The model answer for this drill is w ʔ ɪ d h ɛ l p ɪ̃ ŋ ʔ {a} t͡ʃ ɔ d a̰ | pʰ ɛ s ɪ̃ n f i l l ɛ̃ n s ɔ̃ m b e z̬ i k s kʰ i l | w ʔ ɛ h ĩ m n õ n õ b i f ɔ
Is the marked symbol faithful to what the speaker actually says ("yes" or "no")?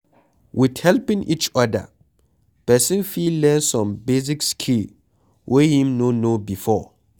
no